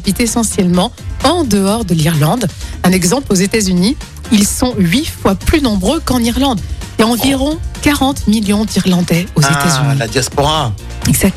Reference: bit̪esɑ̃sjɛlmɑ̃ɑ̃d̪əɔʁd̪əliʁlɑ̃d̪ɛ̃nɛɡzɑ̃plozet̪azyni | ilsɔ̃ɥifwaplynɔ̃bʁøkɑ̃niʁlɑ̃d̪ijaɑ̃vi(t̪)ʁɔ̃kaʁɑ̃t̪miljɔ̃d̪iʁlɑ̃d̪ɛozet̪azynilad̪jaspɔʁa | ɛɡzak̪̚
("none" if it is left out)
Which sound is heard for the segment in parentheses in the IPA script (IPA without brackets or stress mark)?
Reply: none